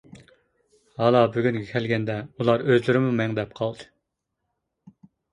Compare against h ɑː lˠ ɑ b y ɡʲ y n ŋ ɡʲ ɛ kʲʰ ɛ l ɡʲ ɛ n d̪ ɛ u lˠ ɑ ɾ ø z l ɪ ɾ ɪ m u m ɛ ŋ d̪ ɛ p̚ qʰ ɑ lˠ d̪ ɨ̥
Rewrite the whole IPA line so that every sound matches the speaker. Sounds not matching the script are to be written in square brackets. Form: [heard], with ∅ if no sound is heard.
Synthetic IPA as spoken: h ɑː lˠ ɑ b y ɡʲ y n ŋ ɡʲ ɛ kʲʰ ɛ l ɡʲ ɛ n d̪ ɛ u lˠ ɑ ɾ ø z l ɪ ɾ ɪ m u m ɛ ŋ d̪ ɛ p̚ qʰ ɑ lˠ d̪ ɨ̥